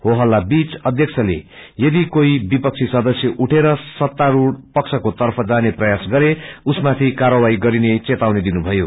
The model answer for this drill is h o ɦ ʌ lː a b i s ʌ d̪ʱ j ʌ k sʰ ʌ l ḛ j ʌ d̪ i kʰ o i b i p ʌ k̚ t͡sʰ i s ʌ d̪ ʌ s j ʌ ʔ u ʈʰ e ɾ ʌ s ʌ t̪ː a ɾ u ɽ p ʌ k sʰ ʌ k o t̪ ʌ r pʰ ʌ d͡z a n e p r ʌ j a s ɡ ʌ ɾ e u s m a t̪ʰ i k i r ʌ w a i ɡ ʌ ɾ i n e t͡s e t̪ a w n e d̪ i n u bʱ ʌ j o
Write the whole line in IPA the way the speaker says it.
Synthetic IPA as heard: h o ɦ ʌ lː a b i t͡s ʌ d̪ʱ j ʌ k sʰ ʌ l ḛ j ʌ d̪ i k o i b i p ʌ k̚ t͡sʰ i s ʌ d̪ ʌ s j ʌ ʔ u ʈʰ e ɾ ʌ s ʌ t̪ː a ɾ u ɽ p ʌ k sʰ ʌ k o t̪ ʌ r pʰ ʌ d͡z a n e p r ʌ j a s ɡ ʌ ɾ e u s m a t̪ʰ i k a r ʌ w a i ɡ ʌ ɾ i n e t͡s e t̪ a w n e d̪ i n u bʱ ʌ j o